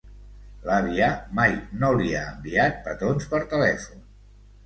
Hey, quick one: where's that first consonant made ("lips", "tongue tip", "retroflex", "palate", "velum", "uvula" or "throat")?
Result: tongue tip